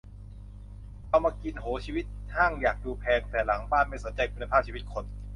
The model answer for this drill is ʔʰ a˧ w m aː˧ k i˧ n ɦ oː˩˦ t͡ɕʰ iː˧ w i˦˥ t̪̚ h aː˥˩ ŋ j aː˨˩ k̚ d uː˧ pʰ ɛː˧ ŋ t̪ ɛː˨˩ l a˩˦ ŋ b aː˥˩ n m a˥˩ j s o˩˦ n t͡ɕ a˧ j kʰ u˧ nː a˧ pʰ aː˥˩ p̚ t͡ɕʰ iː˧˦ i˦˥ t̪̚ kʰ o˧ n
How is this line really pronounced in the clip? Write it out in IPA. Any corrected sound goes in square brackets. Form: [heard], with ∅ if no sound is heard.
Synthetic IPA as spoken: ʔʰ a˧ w m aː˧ k i˧ n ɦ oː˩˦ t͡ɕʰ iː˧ w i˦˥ t̪̚ h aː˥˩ ŋ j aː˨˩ k̚ d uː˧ pʰ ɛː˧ ŋ t̪ ɛː˨˩ l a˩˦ ŋ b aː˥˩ n m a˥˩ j s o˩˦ n t͡ɕ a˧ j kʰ u˧ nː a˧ pʰ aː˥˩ p̚ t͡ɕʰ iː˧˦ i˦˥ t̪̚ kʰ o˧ n